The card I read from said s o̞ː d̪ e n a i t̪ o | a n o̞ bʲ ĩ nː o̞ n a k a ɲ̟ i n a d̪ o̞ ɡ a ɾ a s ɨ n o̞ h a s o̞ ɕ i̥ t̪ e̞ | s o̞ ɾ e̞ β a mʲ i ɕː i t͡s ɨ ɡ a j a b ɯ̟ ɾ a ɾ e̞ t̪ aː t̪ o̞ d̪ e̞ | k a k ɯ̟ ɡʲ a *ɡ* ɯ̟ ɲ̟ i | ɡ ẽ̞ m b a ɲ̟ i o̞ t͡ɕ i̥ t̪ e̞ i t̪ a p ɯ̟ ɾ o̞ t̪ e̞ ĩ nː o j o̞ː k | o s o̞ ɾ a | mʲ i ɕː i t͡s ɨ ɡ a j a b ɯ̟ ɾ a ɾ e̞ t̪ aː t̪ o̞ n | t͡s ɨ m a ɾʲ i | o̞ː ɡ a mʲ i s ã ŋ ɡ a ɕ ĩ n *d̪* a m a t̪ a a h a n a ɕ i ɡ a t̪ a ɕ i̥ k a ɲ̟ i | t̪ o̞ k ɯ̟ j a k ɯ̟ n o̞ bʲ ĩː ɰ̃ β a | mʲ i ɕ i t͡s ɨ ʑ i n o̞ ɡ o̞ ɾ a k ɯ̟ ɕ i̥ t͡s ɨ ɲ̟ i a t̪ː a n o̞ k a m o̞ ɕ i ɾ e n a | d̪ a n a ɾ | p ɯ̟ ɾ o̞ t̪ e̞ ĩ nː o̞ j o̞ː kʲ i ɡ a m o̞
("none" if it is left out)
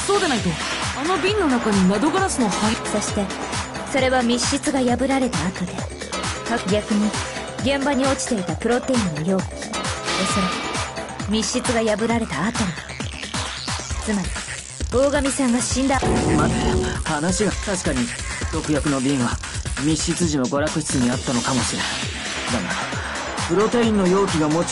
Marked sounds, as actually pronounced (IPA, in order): k, d̪

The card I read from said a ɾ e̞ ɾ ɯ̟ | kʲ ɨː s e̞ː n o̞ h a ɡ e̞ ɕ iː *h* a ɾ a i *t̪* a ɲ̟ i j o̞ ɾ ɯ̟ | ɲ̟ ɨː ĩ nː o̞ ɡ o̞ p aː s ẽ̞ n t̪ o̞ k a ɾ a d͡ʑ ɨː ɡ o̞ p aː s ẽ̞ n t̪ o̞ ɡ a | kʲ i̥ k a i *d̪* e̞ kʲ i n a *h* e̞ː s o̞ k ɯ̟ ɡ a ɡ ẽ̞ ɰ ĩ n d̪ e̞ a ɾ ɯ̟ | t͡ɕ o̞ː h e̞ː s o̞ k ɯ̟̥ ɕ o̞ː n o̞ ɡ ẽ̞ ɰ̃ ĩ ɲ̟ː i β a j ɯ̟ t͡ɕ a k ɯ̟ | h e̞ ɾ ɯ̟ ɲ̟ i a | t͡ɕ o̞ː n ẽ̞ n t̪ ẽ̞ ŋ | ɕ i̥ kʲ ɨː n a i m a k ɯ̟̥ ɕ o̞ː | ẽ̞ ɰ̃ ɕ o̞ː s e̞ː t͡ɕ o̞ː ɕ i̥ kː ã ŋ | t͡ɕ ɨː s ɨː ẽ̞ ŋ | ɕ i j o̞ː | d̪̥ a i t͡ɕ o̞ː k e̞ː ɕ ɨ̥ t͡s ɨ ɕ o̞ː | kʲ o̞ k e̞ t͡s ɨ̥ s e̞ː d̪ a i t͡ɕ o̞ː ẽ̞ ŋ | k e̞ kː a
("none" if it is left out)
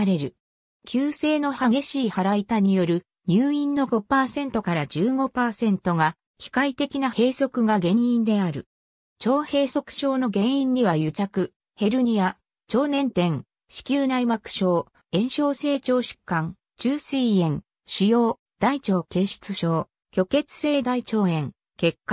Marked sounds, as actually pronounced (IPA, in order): h, t̪, t̪, h

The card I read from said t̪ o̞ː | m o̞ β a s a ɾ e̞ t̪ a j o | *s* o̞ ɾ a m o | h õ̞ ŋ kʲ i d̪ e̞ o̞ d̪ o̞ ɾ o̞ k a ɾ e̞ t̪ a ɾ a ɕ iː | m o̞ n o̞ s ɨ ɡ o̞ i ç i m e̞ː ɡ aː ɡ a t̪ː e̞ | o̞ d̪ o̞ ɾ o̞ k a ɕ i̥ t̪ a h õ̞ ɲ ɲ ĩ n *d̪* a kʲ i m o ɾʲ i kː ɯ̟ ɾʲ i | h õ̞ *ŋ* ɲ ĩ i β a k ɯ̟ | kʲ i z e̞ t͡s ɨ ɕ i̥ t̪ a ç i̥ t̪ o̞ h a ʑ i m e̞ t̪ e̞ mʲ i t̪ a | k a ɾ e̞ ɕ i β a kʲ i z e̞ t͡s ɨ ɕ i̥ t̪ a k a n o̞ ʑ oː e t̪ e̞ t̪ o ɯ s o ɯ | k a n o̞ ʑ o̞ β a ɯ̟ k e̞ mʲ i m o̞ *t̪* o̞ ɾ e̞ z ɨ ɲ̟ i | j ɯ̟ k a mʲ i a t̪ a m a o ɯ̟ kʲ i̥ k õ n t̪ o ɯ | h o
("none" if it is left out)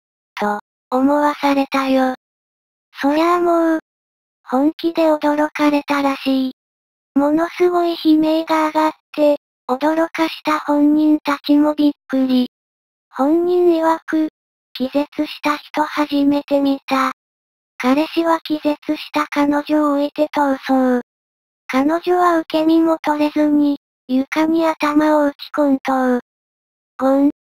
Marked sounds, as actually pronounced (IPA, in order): s, t̪, ɲ, t̪

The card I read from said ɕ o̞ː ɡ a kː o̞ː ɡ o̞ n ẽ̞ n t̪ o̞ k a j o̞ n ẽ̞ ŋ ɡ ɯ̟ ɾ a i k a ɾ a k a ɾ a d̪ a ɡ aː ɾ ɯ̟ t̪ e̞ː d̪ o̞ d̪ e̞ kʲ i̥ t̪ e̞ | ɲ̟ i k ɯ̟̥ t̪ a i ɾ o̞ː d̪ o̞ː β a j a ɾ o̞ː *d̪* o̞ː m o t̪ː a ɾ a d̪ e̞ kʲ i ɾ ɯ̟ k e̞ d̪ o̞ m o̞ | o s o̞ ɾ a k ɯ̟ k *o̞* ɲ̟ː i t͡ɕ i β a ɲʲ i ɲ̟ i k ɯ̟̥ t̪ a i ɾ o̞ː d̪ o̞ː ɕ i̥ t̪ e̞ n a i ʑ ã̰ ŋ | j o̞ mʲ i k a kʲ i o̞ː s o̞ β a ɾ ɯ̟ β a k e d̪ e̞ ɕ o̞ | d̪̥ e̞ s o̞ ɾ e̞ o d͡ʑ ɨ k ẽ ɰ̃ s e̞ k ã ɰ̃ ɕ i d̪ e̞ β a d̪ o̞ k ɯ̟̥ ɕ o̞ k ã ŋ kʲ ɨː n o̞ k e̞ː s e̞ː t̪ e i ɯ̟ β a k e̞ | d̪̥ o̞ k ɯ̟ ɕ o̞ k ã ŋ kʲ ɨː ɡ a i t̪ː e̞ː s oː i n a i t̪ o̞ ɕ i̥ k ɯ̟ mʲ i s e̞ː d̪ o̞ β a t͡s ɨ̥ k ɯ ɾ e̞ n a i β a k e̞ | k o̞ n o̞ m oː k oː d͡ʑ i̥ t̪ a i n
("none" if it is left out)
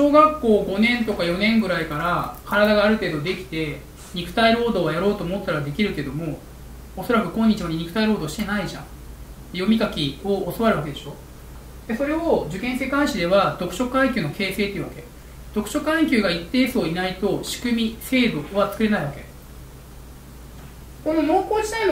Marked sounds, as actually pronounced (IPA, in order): t̪, õ̞

